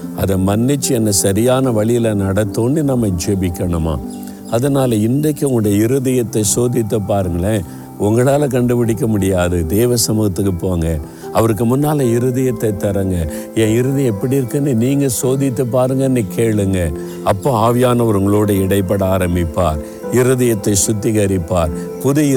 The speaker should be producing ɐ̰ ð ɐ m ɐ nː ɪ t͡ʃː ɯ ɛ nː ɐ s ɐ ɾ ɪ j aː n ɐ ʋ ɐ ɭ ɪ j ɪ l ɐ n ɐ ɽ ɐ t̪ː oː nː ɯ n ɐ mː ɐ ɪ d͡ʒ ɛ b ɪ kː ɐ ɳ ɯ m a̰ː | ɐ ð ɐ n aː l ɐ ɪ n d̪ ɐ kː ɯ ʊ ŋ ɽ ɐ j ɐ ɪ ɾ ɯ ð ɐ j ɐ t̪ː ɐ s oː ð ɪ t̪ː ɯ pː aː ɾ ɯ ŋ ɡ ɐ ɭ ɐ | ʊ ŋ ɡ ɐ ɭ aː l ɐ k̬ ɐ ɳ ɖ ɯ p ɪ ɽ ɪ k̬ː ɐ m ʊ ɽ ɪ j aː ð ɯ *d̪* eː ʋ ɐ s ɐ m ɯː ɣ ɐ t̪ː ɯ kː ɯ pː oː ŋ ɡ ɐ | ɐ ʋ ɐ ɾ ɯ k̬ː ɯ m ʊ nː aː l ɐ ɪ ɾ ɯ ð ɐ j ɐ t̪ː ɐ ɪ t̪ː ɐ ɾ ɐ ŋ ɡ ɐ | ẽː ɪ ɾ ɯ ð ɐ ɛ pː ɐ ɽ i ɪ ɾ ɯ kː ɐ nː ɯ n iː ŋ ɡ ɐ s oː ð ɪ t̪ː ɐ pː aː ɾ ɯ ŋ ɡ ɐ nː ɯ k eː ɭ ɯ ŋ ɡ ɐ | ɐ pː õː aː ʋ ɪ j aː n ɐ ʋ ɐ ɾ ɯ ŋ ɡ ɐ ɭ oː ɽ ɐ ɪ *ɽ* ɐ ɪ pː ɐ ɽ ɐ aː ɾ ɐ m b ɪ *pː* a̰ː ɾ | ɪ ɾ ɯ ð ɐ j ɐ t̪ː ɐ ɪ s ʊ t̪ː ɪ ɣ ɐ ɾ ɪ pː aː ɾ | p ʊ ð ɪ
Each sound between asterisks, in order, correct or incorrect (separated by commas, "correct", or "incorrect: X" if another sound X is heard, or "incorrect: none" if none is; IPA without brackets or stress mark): correct, correct, correct